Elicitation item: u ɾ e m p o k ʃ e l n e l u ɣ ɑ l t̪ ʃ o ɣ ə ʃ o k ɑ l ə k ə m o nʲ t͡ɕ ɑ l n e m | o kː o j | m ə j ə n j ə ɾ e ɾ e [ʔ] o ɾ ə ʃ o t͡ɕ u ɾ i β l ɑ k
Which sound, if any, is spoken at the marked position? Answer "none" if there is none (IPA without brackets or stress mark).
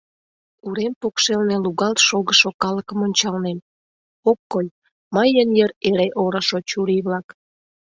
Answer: ʔ